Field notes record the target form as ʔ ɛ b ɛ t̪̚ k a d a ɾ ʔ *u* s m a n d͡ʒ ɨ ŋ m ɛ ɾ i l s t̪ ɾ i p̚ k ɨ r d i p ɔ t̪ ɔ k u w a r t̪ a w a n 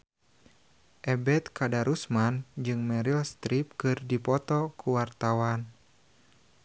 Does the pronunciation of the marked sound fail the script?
no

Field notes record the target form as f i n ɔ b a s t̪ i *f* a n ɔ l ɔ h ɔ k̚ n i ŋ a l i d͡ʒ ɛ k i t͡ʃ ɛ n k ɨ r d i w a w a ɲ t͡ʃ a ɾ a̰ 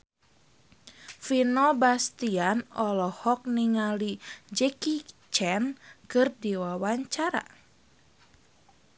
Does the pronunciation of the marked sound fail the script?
yes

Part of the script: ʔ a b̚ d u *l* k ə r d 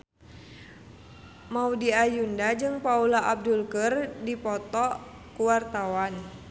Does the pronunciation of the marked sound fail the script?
no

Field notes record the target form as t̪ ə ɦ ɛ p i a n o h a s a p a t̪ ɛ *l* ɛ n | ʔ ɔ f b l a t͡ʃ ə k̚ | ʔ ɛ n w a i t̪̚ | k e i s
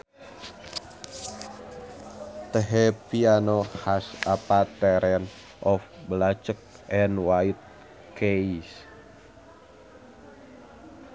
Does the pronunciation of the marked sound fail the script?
yes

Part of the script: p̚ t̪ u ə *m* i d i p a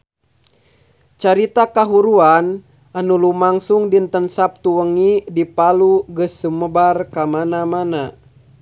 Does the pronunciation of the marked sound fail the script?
yes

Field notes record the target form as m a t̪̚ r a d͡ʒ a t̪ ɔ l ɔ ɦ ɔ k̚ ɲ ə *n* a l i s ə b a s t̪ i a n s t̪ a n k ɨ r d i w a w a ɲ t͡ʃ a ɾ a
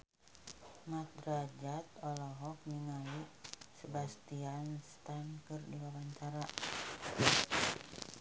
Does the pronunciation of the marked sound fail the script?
yes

